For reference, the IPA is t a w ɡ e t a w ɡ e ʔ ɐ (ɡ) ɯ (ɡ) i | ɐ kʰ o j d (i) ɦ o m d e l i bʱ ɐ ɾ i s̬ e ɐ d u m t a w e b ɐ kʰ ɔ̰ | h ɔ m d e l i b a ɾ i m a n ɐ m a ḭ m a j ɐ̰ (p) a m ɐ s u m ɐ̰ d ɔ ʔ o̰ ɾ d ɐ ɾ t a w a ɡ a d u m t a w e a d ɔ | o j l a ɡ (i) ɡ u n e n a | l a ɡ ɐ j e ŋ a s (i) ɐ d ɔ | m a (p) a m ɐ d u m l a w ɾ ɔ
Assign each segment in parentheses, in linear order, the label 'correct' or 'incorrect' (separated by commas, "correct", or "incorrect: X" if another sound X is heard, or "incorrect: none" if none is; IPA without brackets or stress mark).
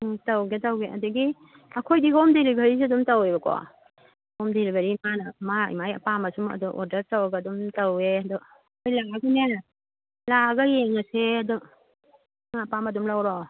incorrect: d, correct, correct, correct, incorrect: a, incorrect: e, correct